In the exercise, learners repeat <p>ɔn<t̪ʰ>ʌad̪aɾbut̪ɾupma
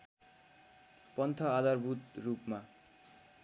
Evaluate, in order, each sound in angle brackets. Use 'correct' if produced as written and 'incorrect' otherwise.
correct, correct

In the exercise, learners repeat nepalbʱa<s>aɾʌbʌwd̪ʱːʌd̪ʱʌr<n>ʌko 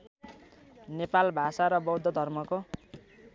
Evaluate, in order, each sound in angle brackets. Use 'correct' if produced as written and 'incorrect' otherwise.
correct, incorrect

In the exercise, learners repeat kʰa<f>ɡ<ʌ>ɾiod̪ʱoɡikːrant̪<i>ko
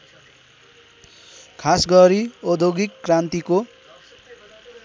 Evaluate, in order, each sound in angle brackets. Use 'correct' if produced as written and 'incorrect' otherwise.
incorrect, correct, correct

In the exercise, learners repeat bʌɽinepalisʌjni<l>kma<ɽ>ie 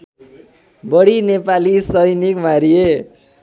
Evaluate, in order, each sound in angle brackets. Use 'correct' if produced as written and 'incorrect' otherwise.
incorrect, incorrect

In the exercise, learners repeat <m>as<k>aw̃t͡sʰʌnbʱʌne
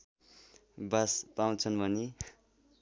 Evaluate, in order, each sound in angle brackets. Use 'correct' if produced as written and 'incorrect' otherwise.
incorrect, incorrect

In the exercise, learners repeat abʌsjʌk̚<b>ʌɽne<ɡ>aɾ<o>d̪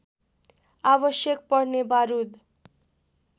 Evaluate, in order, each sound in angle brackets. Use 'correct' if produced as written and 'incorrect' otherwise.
incorrect, incorrect, incorrect

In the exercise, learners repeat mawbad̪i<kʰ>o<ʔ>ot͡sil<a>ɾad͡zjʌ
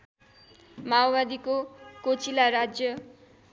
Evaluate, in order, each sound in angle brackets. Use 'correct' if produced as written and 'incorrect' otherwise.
incorrect, incorrect, correct

